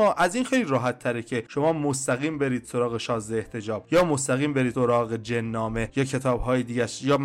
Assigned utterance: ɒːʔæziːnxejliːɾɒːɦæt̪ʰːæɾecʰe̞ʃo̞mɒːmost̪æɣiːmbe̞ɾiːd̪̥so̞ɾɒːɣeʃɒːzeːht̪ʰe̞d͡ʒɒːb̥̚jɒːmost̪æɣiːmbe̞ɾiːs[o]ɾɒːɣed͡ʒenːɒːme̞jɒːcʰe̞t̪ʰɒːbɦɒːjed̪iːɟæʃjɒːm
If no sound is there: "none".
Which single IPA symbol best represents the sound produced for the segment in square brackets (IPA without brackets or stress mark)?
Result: o